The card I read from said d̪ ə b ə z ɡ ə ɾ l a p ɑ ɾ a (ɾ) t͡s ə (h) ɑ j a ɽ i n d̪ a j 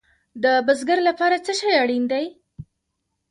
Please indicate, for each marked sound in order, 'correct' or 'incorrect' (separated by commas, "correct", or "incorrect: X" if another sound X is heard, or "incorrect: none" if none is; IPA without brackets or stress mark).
incorrect: none, incorrect: ʃ